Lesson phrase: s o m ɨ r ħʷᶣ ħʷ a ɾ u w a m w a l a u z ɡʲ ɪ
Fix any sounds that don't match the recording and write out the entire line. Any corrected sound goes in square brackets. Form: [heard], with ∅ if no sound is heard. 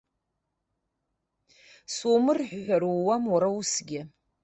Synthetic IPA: s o m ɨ r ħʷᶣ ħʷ a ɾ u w a m w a [ɾ] a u [s] ɡʲ ɪ

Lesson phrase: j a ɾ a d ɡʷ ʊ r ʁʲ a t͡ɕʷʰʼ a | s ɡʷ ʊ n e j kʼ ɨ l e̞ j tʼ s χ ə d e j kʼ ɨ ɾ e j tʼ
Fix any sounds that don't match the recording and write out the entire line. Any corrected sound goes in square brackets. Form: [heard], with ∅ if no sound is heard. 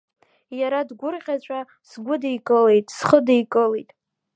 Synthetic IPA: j a ɾ a d ɡʷ ʊ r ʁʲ a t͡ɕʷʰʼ a | s ɡʷ ʊ [d] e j kʼ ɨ l e̞ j tʼ s χ ə d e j kʼ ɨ [l] e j tʼ

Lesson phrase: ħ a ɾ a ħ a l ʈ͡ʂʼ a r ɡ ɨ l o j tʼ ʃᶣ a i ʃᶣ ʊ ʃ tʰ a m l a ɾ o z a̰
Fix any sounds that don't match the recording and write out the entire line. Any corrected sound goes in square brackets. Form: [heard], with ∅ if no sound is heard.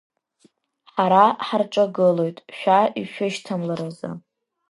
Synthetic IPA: ħ a ɾ a ħ a [r] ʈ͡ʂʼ a [∅] ɡ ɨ l o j tʼ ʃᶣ a i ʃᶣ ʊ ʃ tʰ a m l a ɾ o z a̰

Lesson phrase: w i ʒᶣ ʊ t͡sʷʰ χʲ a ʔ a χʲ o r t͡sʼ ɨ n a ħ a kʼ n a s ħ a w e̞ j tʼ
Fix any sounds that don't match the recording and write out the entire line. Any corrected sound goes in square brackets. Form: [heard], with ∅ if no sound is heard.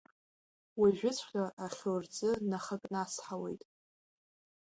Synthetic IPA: w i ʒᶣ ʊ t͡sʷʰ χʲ a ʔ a χʲ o r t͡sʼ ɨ n a [χ] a kʼ n a s ħ a w e̞ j tʼ

